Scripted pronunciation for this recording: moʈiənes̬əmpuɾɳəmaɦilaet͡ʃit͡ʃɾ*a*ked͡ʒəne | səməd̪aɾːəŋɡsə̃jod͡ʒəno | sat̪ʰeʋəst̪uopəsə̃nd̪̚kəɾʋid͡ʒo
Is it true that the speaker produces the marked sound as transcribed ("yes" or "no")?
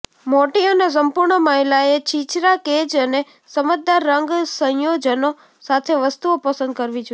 yes